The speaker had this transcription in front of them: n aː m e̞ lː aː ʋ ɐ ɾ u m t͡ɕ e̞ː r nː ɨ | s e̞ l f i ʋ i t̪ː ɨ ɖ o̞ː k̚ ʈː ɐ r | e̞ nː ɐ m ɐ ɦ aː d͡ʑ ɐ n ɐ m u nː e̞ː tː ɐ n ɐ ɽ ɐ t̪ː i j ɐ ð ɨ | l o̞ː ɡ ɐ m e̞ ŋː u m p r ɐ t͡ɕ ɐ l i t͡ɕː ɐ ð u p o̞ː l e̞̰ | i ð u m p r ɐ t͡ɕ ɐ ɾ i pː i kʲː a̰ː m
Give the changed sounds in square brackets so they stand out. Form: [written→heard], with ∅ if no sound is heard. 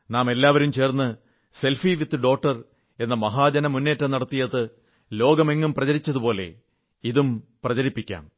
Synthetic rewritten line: n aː m e̞ lː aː ʋ ɐ ɾ u m t͡ɕ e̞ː r nː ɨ | s e̞ l f i ʋ i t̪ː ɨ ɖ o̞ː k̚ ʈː ɐ r | e̞ nː ɐ m ɐ ɦ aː d͡ʑ ɐ n ɐ m u nː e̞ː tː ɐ n ɐ ɽ ɐ t̪ː i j ɐ ð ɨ | l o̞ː ɡ ɐ m e̞ ŋː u m p r ɐ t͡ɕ ɐ [l→ɾ] i t͡ɕː ɐ ð u p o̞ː l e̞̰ | i ð u m p r ɐ t͡ɕ ɐ ɾ i pː i kʲː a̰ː m